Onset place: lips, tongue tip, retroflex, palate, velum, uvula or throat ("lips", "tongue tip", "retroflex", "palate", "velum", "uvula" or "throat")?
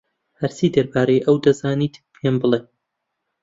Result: throat